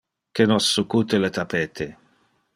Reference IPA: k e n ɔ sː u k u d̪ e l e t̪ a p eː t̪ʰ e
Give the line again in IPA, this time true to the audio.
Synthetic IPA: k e n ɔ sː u k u t̪ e l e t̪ a p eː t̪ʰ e